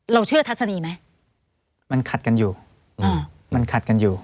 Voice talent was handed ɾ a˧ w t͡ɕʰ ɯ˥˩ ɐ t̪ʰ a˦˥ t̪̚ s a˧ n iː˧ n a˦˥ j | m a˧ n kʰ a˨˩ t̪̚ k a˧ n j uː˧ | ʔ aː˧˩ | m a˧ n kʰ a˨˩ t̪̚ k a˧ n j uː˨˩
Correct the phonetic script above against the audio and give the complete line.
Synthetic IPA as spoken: ɾ a˧ w t͡ɕʰ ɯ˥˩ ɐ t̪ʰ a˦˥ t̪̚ s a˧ n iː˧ m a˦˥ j | m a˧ n kʰ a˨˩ t̪̚ k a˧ n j uː˨˩ | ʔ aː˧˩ | m a˧ n kʰ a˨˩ t̪̚ k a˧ n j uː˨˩